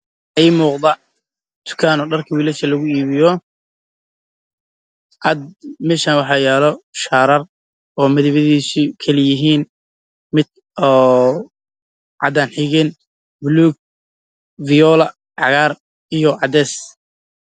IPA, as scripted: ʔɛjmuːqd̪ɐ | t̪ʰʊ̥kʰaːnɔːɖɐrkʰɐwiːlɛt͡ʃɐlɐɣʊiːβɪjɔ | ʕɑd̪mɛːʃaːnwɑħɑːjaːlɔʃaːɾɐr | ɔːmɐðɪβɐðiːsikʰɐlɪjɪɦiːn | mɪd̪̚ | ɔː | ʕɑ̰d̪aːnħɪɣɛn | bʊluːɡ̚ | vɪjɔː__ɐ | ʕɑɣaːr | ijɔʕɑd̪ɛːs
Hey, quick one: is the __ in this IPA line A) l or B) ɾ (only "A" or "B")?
A